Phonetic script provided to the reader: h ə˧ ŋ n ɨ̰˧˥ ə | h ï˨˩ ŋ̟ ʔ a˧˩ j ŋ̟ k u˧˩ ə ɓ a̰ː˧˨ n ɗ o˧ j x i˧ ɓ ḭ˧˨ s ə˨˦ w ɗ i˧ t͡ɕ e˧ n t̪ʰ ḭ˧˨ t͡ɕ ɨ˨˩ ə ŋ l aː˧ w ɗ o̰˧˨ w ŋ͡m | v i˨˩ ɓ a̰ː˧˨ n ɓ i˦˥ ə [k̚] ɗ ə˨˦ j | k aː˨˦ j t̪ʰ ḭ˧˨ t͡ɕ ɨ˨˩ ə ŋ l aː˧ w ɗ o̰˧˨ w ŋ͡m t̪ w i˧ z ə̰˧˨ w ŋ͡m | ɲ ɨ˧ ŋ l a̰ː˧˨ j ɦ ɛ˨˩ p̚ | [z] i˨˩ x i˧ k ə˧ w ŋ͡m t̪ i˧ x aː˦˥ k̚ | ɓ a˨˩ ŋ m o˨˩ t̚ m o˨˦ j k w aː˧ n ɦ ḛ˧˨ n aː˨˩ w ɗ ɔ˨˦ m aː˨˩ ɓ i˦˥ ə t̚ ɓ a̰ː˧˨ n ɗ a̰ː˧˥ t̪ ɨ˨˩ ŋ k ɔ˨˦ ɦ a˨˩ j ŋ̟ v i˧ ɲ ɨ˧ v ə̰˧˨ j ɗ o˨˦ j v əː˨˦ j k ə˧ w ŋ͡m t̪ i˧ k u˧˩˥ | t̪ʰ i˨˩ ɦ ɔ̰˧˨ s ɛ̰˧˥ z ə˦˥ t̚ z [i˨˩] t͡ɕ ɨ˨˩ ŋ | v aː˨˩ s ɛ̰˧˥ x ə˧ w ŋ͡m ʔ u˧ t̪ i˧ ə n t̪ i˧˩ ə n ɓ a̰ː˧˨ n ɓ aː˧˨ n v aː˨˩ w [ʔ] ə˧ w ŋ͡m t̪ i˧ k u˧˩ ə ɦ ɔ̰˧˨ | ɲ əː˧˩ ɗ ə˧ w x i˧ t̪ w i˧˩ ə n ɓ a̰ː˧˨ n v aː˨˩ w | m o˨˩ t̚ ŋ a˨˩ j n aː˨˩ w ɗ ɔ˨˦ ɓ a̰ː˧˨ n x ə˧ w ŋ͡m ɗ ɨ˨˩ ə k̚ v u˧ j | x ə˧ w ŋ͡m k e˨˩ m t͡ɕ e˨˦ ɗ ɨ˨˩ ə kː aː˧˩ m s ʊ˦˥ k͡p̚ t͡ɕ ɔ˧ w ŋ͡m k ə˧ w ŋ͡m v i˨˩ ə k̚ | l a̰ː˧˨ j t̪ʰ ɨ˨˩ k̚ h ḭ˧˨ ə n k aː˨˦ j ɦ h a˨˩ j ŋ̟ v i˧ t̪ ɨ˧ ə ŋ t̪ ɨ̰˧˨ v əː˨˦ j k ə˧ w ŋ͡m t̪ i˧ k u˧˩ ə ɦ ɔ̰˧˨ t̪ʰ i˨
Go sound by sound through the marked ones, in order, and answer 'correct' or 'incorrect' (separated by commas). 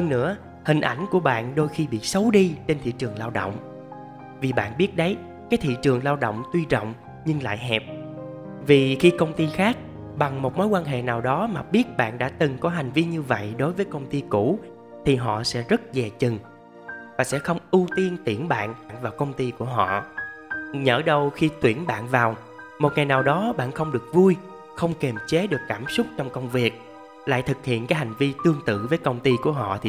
incorrect, incorrect, incorrect, incorrect